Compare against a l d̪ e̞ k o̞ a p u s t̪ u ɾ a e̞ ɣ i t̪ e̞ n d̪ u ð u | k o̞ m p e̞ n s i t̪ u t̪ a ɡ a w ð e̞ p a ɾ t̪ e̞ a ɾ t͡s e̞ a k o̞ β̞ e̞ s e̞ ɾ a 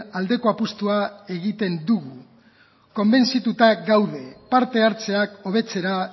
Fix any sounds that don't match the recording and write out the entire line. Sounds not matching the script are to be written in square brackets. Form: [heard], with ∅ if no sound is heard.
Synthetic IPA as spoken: a l d̪ e̞ k o̞ a p u s t̪ u [∅] a e̞ ɣ i t̪ e̞ n d̪ u [ɣ] u | k o̞ m [b] e̞ n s i t̪ u t̪ a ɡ a w ð e̞ p a ɾ t̪ e̞ a ɾ t͡s e̞ a k o̞ β̞ e̞ [t͡s] e̞ ɾ a

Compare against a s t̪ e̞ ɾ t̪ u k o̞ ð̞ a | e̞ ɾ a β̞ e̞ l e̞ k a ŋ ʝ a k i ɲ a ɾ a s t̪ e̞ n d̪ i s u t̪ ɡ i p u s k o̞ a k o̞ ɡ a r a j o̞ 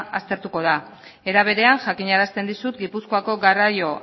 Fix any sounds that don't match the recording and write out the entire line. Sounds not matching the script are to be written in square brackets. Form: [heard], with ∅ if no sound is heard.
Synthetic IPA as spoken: a s t̪ e̞ ɾ t̪ u k o̞ ð̞ a | e̞ ɾ a β̞ e̞ [ɾ] e̞ [∅] a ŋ ʝ a k i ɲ a ɾ a s t̪ e̞ n d̪ i s u t̪ ɡ i p u s k o̞ a k o̞ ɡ a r a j o̞

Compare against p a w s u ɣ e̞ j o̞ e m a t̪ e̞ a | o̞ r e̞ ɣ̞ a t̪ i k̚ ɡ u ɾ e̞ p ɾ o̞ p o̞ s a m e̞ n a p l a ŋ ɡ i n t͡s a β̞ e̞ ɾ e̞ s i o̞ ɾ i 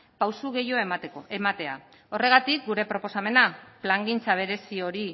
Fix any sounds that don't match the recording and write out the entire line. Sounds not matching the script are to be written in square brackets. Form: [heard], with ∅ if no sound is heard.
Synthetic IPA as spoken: p a w s u ɣ e̞ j o̞ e m a t̪ e̞ a | o̞ r e̞ ɣ̞ a t̪ i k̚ ɡ u ɾ e̞ p ɾ o̞ p o̞ s a m e̞ n a p l a ŋ ɡ i n t͡s a β̞ e̞ ɾ e̞ s i o̞ ɾ i

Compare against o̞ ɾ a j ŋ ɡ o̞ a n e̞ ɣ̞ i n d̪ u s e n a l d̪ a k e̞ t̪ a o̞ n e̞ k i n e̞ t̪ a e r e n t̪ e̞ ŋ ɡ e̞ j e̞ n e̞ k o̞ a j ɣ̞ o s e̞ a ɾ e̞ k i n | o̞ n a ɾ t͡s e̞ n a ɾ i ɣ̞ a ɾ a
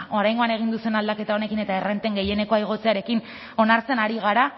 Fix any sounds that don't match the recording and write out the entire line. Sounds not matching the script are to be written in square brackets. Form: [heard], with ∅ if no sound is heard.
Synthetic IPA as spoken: o̞ ɾ a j ŋ ɡ o̞ a n e̞ ɣ̞ i n d̪ u s e n a l d̪ a k e̞ t̪ a o̞ n e̞ k i n e̞ t̪ a e r e n t̪ e̞ ŋ ɡ e̞ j e̞ n e̞ k o̞ a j ɣ̞ o [t͡s] e̞ a ɾ e̞ k i n | o̞ n a ɾ t͡s e̞ n a ɾ i ɣ̞ a ɾ a

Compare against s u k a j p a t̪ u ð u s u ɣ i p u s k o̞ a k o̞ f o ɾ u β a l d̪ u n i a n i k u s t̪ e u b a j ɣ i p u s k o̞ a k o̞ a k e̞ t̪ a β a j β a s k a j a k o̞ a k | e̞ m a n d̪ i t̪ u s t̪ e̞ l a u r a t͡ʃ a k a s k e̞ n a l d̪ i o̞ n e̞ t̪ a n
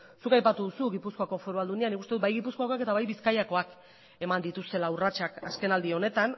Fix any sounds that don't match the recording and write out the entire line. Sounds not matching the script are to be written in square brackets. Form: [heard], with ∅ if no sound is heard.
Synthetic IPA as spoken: s u k a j p a t̪ u ð u s u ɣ i p u s k o̞ a k o̞ f o ɾ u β a l d̪ u n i a n i k u s t̪ e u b a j ɣ i p u s k o̞ a k o̞ a k e̞ t̪ a β a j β [i] s k a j a k o̞ a k | e̞ m a n d̪ i t̪ u s t̪ e̞ l a u r a t͡ʃ a k a s k e̞ n a l d̪ i o̞ n e̞ t̪ a n

